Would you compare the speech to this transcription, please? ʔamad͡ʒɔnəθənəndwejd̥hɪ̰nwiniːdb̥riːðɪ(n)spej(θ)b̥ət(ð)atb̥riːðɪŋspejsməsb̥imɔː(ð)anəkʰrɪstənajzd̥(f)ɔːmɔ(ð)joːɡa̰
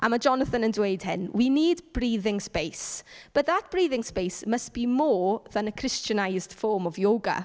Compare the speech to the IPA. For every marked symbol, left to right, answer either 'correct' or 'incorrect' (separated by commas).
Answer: incorrect, incorrect, correct, correct, correct, incorrect